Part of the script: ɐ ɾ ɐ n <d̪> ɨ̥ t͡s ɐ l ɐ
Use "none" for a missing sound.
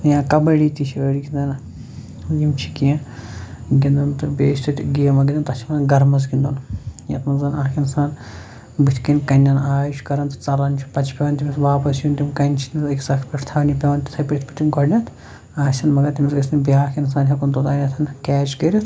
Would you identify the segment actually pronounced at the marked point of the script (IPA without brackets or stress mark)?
t̪